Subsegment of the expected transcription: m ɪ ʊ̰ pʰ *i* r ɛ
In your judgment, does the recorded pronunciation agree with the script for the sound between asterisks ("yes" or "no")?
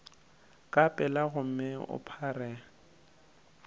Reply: no